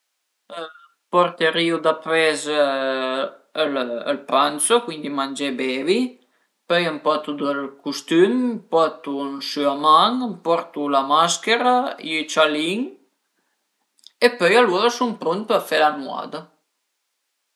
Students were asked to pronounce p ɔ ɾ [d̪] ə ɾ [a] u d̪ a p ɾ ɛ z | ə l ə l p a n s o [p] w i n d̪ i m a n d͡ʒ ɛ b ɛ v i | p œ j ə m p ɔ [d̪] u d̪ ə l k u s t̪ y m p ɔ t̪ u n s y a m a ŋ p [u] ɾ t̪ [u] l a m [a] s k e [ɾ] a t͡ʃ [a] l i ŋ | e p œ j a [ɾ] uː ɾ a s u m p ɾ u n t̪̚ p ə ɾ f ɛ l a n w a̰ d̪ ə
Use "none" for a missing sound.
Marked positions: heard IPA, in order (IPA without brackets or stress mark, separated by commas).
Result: t̪, i, k, t̪, ɔ, u, a, ɾ, a, l